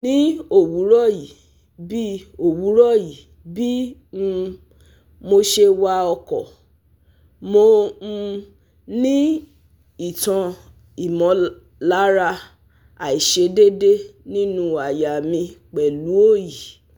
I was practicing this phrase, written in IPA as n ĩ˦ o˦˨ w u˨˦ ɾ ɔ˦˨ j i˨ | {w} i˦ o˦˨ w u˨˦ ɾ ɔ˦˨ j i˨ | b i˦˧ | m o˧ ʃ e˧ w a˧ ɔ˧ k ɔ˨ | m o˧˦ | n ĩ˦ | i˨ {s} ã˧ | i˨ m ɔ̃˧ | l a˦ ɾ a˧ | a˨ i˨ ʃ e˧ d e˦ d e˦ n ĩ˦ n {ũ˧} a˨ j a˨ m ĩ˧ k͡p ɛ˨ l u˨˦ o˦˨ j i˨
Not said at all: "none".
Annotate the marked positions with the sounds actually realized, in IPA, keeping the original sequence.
b, t, ũ˧

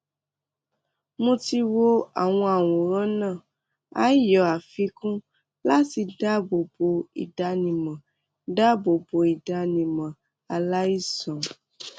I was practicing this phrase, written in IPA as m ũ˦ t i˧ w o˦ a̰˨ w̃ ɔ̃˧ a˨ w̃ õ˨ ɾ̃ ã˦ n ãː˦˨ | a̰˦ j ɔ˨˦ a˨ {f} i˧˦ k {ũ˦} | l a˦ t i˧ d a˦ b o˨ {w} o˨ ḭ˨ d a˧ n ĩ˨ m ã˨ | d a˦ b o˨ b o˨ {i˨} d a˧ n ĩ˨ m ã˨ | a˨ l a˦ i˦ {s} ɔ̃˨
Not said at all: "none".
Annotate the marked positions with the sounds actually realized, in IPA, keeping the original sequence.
f, ũ˦, b, i˨, s

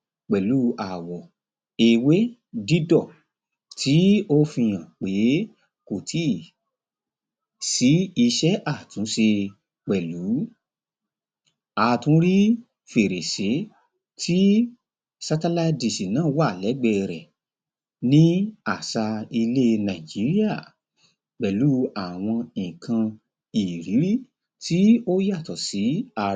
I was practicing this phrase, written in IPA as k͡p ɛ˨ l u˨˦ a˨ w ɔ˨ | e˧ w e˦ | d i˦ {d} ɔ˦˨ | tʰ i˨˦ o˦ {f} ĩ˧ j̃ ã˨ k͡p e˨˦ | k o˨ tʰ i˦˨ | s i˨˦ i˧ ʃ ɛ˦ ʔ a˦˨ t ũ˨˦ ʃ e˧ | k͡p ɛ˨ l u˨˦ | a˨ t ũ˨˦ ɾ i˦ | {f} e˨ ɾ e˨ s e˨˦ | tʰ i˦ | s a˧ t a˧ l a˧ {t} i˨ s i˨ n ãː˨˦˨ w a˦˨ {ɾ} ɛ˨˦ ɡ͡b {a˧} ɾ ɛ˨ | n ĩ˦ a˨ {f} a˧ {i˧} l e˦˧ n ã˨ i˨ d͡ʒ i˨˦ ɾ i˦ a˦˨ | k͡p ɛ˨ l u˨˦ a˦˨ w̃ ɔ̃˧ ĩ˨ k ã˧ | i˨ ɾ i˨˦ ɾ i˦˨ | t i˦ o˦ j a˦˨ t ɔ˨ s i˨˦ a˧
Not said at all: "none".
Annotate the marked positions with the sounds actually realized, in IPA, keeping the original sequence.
d, f, f, d, l, ɛ˧, s, i˧

